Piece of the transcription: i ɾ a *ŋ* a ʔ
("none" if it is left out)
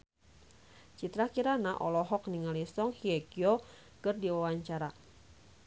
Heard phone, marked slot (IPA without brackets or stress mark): n